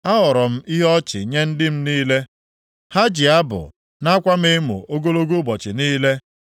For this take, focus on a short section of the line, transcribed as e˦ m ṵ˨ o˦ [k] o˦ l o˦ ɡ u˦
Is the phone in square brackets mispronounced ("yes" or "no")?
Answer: yes